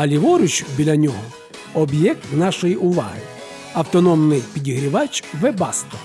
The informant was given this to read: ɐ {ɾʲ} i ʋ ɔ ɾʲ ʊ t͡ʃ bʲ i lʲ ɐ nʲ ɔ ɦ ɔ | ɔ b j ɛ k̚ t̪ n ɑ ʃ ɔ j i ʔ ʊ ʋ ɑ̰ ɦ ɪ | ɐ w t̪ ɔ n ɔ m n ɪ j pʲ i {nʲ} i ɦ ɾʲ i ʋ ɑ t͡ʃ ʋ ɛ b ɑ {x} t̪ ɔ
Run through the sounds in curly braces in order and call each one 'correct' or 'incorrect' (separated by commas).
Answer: incorrect, incorrect, incorrect